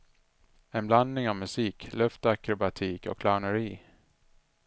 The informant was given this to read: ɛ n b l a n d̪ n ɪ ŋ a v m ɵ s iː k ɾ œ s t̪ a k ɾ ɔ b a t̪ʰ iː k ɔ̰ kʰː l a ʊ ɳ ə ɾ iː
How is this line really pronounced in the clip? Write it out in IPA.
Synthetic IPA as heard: ɛ n b l a n d̪ n ɪ ŋ a v m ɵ s iː k l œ f t̪ a k ɾ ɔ b a t̪ʰ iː k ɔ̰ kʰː l a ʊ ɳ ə ɾ iː